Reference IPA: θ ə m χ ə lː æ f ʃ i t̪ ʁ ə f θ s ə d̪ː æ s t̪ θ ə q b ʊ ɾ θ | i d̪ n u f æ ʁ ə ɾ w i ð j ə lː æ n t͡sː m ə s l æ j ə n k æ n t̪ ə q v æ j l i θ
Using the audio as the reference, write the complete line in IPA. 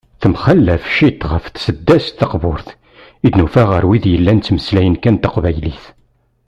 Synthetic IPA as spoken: θ ə m χ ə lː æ f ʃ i t̪ ʁ ə f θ s ə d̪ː æ s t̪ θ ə q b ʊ ɾ θ | i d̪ n u f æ ʁ ə ɾ w i ð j ə lː æ n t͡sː m ə s l æ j ə n k æ n t̪ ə q v æ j l i θ